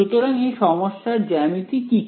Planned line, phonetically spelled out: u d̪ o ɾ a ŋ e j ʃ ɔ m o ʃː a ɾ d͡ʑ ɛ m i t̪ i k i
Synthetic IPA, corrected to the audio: u t̪ o ɾ a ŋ e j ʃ ɔ m o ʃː a ɾ d͡ʑ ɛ m i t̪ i k i